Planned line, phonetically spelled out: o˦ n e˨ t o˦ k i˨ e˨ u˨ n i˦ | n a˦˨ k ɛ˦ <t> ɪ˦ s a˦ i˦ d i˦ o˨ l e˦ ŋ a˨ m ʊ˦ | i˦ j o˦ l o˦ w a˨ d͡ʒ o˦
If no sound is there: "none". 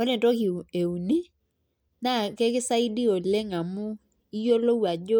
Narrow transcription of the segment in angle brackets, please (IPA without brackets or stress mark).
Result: k